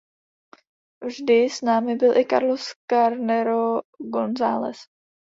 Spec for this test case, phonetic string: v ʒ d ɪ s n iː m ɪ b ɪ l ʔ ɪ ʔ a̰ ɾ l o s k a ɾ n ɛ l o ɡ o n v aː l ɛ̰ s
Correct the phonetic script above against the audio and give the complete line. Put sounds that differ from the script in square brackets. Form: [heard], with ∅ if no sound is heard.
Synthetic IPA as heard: v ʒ d ɪ s n [aː] m ɪ b ɪ l ʔ ɪ [k] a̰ ɾ l o s k a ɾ n ɛ [ɾ] o ɡ o n [z] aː l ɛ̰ s